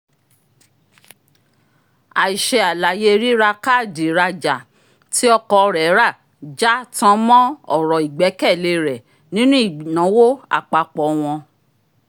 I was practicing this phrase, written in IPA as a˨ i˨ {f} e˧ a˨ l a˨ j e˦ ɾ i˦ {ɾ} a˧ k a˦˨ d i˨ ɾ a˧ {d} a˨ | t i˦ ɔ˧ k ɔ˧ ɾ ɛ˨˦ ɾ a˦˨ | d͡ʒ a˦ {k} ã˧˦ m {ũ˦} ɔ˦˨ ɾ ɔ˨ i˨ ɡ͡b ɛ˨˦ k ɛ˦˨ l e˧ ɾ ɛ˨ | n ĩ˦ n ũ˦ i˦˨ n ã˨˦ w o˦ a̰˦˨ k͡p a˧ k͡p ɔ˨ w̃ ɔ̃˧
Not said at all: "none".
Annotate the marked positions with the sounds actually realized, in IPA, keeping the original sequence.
ʃ, ɾ, d͡ʒ, t, ɔ̃˦

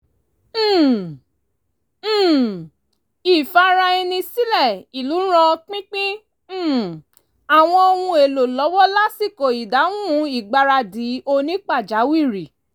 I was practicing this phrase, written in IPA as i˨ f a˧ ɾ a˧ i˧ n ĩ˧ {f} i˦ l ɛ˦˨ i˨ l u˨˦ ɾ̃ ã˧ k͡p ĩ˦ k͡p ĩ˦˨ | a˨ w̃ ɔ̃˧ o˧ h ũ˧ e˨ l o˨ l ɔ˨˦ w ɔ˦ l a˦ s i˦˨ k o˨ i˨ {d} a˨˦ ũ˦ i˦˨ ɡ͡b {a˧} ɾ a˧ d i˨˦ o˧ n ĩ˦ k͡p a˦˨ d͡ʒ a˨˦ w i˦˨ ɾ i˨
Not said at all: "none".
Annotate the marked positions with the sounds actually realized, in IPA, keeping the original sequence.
s, d, a˧

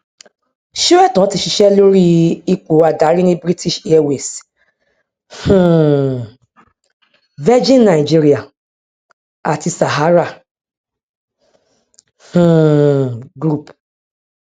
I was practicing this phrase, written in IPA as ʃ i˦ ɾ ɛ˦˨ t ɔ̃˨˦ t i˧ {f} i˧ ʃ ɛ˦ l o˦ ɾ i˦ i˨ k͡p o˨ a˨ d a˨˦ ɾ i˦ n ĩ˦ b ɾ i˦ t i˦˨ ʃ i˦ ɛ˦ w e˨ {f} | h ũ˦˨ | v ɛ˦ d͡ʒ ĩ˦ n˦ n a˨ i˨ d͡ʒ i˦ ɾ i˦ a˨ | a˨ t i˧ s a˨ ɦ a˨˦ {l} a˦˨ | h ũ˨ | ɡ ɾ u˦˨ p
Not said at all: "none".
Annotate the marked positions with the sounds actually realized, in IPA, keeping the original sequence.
ʃ, s, ɾ

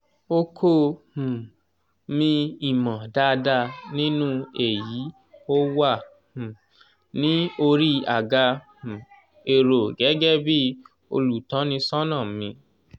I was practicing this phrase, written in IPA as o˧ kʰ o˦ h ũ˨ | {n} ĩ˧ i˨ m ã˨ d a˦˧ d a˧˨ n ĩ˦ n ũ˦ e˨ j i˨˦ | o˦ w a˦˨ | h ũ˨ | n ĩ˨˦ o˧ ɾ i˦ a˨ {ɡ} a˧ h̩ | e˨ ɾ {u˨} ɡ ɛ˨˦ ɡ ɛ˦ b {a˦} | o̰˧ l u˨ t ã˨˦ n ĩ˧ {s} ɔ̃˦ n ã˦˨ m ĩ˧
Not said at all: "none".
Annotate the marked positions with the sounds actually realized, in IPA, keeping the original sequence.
m, ɡ, o˨, i˦, s

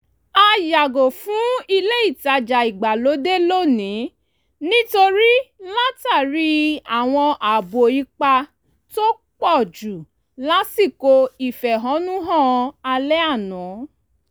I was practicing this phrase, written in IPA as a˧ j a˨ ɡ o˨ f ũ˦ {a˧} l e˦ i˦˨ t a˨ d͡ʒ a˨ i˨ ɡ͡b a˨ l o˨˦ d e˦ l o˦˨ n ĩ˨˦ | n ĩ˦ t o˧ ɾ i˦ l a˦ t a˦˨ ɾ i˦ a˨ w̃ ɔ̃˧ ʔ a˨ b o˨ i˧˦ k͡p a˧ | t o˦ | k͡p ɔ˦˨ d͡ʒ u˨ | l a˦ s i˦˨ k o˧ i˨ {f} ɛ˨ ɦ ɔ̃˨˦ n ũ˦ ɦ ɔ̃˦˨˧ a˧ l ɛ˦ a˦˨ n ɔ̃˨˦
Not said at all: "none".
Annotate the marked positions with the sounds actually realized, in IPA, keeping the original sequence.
i˧, f

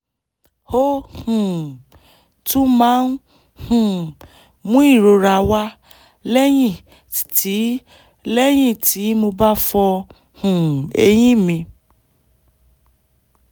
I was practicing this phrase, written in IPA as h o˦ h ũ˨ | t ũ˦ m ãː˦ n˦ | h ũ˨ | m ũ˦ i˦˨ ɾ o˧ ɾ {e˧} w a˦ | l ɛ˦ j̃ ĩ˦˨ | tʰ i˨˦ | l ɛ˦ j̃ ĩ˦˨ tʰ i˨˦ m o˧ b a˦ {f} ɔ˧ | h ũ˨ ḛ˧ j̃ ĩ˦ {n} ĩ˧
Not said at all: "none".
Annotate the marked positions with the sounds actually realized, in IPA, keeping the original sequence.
a˧, f, m

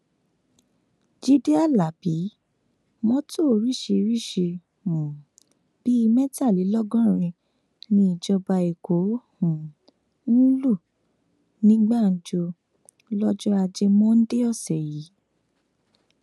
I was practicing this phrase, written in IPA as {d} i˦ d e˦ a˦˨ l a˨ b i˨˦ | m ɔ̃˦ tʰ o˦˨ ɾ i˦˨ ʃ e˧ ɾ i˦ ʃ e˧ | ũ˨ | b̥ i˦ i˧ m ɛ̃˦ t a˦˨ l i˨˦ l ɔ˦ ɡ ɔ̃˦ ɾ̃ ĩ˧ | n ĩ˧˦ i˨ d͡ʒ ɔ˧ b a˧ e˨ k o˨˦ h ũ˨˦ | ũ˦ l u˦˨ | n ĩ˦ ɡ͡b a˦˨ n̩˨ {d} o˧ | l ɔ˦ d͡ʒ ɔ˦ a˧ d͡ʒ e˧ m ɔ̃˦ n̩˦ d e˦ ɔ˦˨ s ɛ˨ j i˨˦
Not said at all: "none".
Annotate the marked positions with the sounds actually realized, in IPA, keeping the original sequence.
d͡ʒ, d͡ʒ

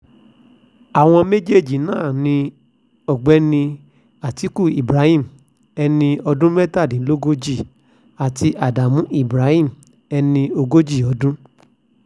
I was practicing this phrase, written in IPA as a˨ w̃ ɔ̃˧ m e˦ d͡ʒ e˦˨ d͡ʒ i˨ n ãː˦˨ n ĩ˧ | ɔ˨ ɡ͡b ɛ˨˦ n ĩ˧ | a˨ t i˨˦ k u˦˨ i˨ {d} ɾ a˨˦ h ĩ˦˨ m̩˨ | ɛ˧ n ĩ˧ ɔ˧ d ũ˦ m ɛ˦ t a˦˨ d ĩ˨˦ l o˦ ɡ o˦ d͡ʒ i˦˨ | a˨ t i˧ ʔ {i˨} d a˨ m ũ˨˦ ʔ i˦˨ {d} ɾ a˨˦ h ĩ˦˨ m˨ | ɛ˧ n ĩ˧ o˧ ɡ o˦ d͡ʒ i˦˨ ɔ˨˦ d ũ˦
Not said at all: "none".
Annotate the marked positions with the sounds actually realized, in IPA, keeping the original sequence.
b, a˨, b

